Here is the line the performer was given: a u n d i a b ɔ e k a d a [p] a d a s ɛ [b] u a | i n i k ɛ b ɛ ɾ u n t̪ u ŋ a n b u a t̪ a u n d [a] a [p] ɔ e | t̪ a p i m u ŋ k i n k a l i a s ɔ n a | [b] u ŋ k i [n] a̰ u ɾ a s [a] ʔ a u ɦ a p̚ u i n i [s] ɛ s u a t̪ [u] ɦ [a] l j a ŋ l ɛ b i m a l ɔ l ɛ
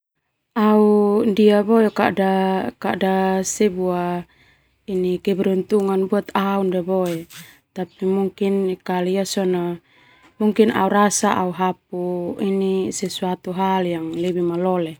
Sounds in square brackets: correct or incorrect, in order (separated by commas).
incorrect, correct, incorrect, incorrect, incorrect, correct, correct, correct, correct, correct